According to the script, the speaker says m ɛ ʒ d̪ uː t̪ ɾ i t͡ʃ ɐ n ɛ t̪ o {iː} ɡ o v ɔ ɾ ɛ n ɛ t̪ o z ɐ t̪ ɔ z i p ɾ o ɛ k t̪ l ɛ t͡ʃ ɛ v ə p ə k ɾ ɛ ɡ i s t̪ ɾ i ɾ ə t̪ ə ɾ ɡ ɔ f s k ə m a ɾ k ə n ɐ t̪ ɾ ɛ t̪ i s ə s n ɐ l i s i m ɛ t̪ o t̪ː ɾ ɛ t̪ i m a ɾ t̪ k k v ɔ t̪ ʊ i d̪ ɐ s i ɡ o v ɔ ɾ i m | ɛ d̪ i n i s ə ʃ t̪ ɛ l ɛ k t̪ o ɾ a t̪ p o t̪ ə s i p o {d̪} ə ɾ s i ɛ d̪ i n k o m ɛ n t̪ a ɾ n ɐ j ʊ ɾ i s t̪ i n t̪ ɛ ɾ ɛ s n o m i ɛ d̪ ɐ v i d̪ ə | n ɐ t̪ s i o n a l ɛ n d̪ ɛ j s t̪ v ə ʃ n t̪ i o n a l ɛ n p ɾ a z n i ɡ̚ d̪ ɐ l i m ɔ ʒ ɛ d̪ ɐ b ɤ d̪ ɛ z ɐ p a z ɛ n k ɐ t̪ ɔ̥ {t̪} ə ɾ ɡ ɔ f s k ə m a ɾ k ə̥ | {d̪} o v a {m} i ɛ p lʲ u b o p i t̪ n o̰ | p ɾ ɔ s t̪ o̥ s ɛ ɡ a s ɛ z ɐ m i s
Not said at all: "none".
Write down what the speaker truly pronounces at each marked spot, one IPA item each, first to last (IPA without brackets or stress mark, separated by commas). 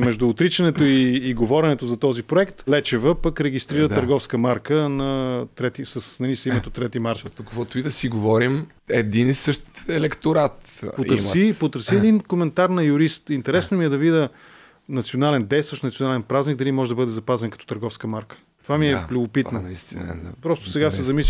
iː, t̪, t̪, t̪, m